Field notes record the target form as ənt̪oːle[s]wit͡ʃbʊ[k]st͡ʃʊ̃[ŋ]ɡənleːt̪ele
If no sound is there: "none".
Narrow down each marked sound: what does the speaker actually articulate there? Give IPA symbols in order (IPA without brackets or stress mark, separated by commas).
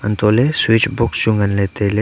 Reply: s, k, ŋ